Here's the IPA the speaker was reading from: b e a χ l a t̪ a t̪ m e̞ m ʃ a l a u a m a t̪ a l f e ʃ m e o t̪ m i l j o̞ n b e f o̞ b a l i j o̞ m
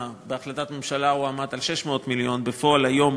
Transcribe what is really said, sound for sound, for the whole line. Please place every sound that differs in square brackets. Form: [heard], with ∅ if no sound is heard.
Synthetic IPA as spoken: b e a χ l a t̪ a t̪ m e̞ m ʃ a l a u a m a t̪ a l [ʃ] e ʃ m e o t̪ m i l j o̞ n b e f o̞ [∅] a l [a] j o̞ m